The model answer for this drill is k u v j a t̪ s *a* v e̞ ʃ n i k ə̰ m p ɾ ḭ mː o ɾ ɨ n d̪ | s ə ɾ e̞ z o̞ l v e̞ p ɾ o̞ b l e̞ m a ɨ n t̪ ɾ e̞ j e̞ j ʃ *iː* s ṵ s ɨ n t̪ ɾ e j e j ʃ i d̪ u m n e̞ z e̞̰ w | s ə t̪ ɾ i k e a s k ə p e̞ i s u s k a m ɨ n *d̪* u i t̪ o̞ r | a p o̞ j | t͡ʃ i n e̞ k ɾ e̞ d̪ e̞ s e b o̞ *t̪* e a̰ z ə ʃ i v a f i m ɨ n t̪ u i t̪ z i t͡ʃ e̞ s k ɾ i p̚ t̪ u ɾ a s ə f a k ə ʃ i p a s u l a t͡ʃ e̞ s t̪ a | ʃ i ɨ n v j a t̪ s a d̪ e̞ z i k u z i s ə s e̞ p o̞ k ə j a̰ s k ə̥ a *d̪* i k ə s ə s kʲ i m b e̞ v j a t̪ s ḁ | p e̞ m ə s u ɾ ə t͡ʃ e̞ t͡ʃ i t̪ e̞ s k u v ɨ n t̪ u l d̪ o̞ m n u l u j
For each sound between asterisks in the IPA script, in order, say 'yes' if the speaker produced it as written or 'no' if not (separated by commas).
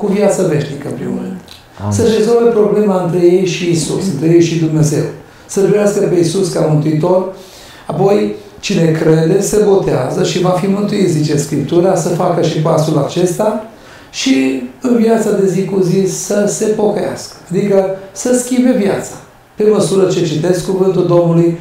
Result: no, yes, no, yes, yes